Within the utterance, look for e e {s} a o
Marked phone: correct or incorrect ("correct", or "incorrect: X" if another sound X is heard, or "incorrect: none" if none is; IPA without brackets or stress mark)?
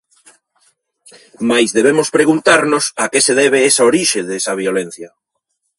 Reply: correct